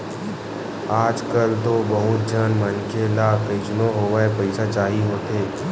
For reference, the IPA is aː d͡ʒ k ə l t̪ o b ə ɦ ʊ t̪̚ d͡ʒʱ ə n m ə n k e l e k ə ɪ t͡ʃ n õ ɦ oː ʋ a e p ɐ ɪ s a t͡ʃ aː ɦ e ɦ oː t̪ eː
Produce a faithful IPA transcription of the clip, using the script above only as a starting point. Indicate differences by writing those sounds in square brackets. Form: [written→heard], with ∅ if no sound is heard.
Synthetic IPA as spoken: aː d͡ʒ k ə l t̪ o b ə ɦ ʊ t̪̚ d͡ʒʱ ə n m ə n k e l [e→a] k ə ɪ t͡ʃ n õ ɦ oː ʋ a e p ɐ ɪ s a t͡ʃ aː ɦ [e→i] ɦ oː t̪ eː